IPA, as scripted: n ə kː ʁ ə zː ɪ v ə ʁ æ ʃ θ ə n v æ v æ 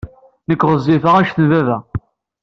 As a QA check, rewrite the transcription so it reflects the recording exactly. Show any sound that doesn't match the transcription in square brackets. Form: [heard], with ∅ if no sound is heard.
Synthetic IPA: n ə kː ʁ ə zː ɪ [f] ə ʁ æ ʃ θ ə n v æ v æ